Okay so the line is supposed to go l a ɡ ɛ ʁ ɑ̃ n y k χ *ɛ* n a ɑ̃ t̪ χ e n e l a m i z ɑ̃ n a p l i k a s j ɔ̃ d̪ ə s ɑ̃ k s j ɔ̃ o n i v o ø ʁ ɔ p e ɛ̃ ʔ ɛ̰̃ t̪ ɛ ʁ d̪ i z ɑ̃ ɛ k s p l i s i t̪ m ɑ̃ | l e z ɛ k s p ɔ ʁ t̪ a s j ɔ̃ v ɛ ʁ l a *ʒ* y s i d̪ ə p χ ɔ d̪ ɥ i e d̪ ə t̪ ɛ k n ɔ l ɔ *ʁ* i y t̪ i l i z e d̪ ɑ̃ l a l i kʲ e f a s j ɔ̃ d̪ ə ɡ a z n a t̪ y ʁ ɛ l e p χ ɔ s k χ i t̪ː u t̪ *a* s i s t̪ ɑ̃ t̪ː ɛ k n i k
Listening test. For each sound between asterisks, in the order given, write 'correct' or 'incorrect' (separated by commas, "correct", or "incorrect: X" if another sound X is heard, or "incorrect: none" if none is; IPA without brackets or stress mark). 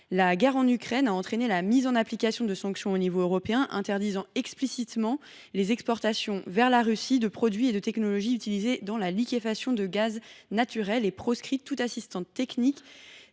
correct, incorrect: ʁ, incorrect: ʒ, correct